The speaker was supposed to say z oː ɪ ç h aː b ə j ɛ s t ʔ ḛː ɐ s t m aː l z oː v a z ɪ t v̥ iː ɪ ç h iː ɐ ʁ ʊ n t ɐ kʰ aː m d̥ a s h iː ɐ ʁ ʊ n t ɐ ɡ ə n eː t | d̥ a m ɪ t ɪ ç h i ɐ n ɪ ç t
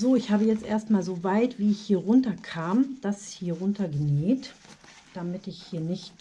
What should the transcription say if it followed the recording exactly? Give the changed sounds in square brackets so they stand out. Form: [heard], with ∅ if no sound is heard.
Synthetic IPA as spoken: z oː ɪ ç h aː b ə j ɛ [t͡s] t ʔ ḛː ɐ s t m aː l z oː v a [∅] ɪ t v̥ iː ɪ ç h iː ɐ ʁ ʊ n t ɐ kʰ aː m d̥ a s h iː ɐ ʁ ʊ n t ɐ ɡ ə n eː t | d̥ a m ɪ t ɪ ç h [iː] ɐ n ɪ ç t

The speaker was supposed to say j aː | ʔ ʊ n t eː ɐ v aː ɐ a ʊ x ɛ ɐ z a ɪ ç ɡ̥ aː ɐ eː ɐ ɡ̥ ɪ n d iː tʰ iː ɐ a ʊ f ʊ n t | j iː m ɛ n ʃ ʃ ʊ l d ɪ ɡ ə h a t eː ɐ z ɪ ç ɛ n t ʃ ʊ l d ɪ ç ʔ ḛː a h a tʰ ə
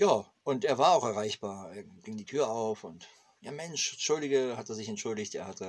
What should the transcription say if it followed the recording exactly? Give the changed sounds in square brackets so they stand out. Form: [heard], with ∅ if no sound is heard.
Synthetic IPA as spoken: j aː | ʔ ʊ n t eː ɐ v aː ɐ a ʊ x ɛ ɐ [ʁ] a ɪ ç [b̥] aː ɐ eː ɐ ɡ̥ ɪ [ŋ] d iː tʰ [yː] ɐ a ʊ f ʊ n t | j [aː] m ɛ n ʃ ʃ ʊ l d ɪ ɡ ə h a t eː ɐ z ɪ ç ɛ n t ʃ ʊ l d ɪ ç [t] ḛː [ɐ] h a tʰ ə

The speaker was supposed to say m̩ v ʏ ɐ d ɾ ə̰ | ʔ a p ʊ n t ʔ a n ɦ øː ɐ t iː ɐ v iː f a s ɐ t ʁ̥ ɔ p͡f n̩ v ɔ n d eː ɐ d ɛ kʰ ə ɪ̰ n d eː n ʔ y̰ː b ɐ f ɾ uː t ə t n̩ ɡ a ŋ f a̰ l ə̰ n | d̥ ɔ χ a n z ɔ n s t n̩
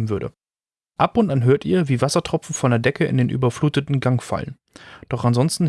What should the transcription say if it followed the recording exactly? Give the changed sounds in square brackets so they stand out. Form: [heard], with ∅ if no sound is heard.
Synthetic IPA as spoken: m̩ v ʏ ɐ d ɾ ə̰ | ʔ a p ʊ n t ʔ a n ɦ øː ɐ t iː ɐ v iː [v] a s ɐ t ʁ̥ ɔ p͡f n̩ [f] ɔ n d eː ɐ d ɛ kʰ ə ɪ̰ n d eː n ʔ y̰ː b ɐ f [l] uː t ə t n̩ ɡ a ŋ f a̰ l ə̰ n | d̥ ɔ χ a n z ɔ n s t n̩

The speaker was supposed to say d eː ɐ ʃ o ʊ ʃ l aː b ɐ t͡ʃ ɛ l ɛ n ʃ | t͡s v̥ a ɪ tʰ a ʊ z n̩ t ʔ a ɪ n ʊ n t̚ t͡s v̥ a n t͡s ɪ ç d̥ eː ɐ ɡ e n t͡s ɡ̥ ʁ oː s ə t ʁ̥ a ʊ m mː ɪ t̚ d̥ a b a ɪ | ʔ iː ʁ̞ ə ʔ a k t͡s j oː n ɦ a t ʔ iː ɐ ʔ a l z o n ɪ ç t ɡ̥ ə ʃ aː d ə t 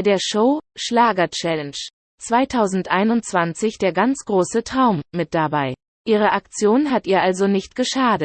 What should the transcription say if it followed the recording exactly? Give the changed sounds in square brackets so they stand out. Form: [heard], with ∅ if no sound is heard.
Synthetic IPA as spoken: d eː ɐ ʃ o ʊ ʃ l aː [ɡ] ɐ t͡ʃ ɛ l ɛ n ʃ | t͡s v̥ a ɪ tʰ a ʊ z n̩ t ʔ a ɪ n ʊ n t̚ t͡s v̥ a n t͡s ɪ ç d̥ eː ɐ ɡ [a] n t͡s ɡ̥ ʁ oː s ə t ʁ̥ a ʊ m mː ɪ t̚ d̥ a b a ɪ | ʔ iː ʁ̞ ə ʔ a k t͡s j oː n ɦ a t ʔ iː ɐ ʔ a l z o n ɪ ç t ɡ̥ ə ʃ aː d ə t

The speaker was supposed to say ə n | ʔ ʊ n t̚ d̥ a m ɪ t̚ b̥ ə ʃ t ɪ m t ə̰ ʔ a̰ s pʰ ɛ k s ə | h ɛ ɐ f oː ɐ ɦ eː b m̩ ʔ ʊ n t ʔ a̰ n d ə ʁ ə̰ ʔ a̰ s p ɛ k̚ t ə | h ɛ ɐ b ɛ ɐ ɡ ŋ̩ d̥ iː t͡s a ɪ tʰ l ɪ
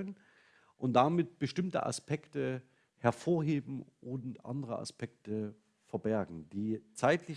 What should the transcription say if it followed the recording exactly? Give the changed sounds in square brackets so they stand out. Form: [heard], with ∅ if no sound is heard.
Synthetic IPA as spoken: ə n | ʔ ʊ n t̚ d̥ a m ɪ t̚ b̥ ə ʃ t ɪ m t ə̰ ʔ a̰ s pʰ ɛ k [t] ə | h ɛ ɐ f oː ɐ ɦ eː b m̩ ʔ ʊ n t ʔ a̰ n d ə ʁ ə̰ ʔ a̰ s p ɛ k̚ t ə | [f] ɛ ɐ b ɛ ɐ ɡ ŋ̩ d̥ iː t͡s a ɪ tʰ l ɪ

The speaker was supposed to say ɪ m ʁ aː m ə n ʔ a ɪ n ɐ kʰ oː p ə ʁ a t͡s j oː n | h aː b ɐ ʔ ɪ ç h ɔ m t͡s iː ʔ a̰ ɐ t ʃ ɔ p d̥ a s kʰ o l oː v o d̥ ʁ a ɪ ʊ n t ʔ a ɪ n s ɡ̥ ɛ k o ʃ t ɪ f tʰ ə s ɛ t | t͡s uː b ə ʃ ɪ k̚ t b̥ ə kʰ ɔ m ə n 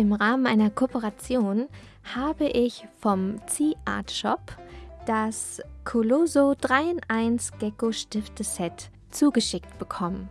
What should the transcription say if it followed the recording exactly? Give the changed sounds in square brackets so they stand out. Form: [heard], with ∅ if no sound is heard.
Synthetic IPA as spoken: ɪ m ʁ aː m ə n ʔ a ɪ n ɐ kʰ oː p ə ʁ a t͡s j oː n | h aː b [ə] ʔ ɪ ç [f] ɔ m t͡s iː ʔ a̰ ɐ t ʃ ɔ p d̥ a s kʰ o l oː [z] o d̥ ʁ a ɪ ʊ n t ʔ a ɪ n s ɡ̥ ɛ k o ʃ t ɪ f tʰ ə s ɛ t | t͡s uː [ɡ] ə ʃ ɪ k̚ t b̥ ə kʰ ɔ m ə n

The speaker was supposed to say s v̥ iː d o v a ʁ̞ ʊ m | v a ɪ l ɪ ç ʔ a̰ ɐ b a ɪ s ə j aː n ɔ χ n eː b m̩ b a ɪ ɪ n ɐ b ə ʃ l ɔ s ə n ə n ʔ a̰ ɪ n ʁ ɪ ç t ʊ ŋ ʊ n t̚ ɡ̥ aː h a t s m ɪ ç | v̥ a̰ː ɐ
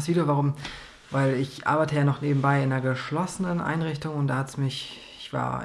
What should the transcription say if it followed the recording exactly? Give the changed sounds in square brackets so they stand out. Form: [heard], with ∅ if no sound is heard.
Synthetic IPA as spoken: s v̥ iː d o v a ʁ̞ ʊ m | v a ɪ l ɪ ç ʔ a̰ ɐ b a ɪ [t] ə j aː n ɔ χ n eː b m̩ b a ɪ ɪ n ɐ [ɡ] ə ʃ l ɔ s ə n ə n ʔ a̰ ɪ n ʁ ɪ ç t ʊ ŋ ʊ n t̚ [d̥] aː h a t s m ɪ ç | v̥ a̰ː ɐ

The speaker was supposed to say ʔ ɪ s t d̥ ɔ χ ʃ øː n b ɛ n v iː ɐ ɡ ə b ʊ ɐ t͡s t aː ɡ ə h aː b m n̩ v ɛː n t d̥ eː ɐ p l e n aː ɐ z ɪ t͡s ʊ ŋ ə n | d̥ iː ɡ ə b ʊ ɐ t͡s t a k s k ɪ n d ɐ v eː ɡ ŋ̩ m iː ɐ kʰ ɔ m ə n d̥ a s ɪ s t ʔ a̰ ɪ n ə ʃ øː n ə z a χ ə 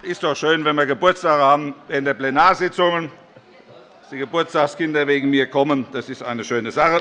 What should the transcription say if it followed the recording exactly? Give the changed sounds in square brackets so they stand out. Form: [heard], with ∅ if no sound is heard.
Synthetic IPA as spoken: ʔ ɪ s t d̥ ɔ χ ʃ øː n [v] ɛ n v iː ɐ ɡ ə b ʊ ɐ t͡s t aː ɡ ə h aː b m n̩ v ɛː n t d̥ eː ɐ p l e n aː ɐ z ɪ t͡s ʊ ŋ ə n | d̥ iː ɡ ə b ʊ ɐ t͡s t a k s k ɪ n d ɐ v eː ɡ ŋ̩ m iː ɐ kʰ ɔ m ə n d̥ a s ɪ s t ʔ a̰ ɪ n ə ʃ øː n ə z a χ ə

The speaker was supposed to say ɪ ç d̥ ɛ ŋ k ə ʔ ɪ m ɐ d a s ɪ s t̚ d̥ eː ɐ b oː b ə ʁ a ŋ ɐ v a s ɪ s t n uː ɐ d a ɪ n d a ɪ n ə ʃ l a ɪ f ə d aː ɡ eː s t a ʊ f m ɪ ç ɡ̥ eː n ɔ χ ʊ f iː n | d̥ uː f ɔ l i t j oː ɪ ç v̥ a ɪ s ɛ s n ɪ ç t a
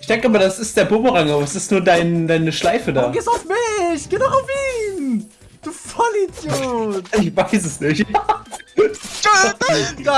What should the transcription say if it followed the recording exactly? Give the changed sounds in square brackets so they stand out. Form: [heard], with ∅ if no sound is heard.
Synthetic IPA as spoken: ɪ ç d̥ ɛ ŋ k ə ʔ ɪ m ɐ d a s ɪ s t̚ d̥ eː ɐ b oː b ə ʁ a ŋ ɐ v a s ɪ s t n uː ɐ d a ɪ n d a ɪ n ə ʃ l a ɪ f ə d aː ɡ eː s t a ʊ f m ɪ ç ɡ̥ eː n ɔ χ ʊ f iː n | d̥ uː f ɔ l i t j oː ɪ ç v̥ a ɪ s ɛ s n ɪ ç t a

